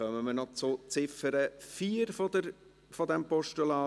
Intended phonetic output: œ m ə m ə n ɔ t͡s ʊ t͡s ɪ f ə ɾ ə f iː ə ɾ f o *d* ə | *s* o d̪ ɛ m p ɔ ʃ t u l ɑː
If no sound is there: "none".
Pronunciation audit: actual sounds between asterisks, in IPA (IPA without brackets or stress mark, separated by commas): d, f